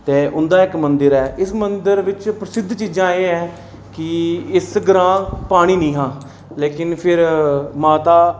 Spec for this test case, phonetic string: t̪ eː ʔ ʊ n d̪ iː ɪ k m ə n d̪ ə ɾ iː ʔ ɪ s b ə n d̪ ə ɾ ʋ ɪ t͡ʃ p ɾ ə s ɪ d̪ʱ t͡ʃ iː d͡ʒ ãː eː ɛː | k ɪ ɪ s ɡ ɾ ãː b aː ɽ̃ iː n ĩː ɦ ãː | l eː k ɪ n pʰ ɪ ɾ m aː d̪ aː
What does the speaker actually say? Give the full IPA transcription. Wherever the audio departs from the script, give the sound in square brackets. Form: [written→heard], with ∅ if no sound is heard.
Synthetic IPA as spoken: t̪ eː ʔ ʊ n d̪ [iː→aː] ɪ k m ə n d̪ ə ɾ [iː→ɛː] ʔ ɪ s [b→m] ə n d̪ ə ɾ ʋ ɪ t͡ʃ p ɾ ə s ɪ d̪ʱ t͡ʃ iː d͡ʒ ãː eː ɛː | k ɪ ɪ s ɡ ɾ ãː [b→p] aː ɽ̃ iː n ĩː ɦ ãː | l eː k ɪ n pʰ ɪ ɾ m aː [d̪→t̪] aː